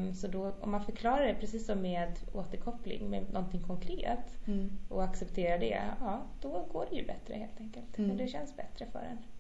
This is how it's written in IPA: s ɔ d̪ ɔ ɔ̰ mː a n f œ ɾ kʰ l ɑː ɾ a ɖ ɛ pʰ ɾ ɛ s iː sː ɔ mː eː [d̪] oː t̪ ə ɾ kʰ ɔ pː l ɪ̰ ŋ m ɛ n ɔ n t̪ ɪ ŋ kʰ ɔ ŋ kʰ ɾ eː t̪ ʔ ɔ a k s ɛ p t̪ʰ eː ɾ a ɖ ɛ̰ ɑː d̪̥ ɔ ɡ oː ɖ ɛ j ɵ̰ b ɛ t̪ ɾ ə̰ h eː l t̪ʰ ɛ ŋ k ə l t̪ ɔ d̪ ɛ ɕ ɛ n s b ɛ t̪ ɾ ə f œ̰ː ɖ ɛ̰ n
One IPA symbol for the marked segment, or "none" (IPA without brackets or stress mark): d̪